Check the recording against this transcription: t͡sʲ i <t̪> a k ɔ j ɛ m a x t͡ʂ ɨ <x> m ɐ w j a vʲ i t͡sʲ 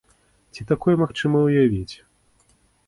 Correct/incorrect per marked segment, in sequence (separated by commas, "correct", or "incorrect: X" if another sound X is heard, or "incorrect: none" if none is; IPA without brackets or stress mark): correct, incorrect: none